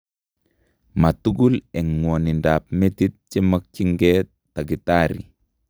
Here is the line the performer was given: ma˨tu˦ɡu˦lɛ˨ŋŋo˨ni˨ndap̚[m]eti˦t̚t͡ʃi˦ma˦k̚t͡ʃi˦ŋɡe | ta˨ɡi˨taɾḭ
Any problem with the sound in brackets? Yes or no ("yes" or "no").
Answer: no